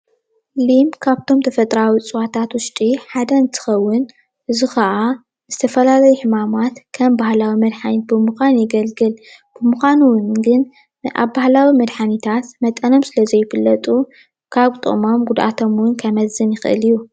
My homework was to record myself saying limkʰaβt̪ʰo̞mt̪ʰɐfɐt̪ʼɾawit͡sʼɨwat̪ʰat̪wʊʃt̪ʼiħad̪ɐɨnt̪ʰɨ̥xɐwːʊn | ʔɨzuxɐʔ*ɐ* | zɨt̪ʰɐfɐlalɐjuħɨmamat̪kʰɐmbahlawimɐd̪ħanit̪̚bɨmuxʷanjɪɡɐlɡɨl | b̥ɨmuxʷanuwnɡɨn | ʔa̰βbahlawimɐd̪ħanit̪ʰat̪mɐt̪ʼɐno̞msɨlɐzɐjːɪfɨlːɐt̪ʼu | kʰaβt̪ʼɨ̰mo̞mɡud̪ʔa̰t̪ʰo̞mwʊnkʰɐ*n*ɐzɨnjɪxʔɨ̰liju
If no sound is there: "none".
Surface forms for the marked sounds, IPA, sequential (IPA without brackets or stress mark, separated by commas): a, m